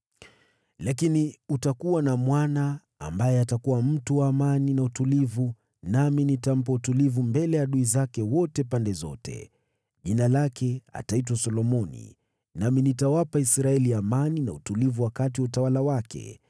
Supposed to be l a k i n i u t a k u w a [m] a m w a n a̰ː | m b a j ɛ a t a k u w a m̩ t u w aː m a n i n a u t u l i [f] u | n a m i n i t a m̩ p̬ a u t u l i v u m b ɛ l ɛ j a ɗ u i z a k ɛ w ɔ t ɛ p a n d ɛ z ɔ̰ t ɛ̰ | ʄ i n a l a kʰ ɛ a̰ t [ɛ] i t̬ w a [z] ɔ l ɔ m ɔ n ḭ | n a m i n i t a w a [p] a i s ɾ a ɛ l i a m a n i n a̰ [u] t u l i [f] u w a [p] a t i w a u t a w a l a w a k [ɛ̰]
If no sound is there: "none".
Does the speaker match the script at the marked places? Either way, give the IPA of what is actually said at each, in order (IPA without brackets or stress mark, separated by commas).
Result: n, v, a, s, p, u, v, k, ɛ̰